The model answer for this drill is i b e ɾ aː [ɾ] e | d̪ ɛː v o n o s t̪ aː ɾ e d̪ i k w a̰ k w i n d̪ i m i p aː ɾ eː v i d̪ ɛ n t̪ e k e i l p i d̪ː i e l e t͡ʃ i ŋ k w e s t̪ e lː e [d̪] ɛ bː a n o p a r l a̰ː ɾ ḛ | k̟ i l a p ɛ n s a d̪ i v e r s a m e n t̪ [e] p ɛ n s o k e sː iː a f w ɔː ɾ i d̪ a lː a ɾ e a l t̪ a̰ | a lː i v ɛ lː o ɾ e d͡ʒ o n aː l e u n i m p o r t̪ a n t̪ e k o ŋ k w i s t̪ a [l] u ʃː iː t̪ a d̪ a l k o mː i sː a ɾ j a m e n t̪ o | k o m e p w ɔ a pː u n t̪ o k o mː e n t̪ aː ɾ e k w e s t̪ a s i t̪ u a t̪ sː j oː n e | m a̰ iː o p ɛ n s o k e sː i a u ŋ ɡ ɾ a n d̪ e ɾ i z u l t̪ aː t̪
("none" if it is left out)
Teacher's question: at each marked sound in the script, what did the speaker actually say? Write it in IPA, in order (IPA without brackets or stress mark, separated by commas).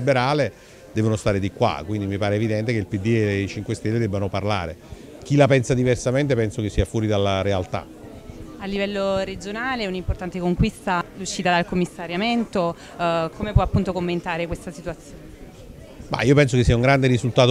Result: l, d̪, e, l